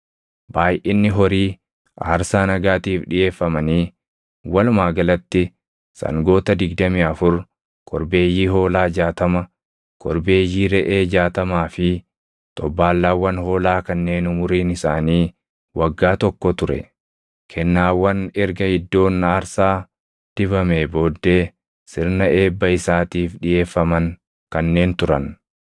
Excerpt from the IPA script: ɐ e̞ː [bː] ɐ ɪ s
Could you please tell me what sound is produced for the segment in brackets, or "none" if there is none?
bː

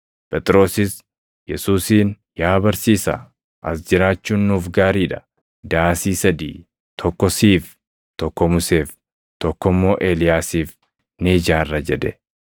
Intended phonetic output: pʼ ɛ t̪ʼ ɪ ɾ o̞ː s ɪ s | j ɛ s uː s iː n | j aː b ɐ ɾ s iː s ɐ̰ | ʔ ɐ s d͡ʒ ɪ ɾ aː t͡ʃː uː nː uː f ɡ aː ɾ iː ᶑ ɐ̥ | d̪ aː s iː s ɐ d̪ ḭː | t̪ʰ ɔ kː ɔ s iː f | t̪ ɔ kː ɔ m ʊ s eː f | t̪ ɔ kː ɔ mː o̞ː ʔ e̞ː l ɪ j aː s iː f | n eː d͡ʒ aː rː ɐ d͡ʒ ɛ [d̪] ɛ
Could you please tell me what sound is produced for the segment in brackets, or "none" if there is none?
d̪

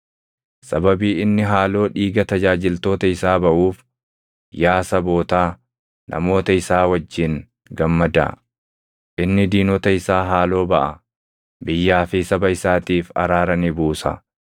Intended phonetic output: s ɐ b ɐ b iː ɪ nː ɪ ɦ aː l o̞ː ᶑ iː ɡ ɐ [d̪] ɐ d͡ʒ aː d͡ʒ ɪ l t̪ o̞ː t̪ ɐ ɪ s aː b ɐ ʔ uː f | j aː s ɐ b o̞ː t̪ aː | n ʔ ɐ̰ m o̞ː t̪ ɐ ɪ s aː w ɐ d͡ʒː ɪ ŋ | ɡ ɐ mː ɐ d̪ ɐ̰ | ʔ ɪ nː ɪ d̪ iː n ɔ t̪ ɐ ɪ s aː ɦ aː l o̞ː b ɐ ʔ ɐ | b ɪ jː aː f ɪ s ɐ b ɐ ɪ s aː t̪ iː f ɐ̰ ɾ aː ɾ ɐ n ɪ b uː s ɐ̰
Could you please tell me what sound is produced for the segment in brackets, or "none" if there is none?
t̪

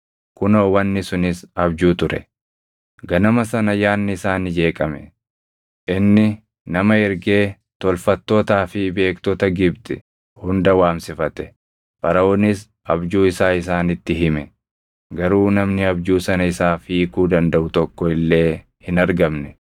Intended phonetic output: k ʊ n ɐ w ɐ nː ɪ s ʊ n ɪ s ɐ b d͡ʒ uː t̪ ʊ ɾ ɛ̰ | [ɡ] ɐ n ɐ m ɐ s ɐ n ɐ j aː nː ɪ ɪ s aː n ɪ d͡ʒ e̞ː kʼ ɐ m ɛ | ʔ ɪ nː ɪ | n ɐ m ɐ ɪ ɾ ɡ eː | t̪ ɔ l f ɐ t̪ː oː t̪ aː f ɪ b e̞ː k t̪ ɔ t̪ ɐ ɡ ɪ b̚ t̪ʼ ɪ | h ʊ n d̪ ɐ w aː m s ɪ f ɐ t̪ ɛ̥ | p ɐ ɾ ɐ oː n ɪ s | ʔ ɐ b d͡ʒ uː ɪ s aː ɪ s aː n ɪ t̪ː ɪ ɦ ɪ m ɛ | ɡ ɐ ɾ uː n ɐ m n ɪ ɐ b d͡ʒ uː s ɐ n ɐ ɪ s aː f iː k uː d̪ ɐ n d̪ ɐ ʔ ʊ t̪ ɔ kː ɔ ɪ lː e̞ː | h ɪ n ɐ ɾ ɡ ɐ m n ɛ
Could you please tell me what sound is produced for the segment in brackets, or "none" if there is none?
ɡ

